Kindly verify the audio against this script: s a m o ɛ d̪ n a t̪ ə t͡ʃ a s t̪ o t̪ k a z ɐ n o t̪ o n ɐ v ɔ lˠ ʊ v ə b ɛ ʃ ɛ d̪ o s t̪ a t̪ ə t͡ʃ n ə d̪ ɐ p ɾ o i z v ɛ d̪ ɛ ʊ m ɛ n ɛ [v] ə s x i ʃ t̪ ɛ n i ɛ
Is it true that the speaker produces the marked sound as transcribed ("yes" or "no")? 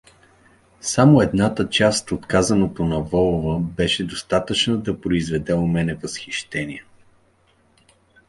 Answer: yes